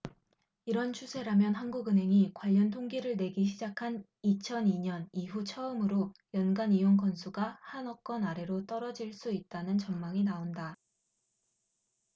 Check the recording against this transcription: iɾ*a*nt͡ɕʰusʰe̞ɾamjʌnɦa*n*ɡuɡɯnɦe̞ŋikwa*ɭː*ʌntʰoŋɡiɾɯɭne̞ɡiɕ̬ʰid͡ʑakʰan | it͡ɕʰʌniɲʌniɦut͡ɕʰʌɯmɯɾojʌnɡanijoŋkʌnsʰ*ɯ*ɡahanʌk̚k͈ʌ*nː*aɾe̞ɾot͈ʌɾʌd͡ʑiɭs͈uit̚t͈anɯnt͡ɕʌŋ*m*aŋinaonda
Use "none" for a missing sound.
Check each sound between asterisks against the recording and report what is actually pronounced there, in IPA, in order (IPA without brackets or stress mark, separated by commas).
ʌ, n, ʎː, u, n, m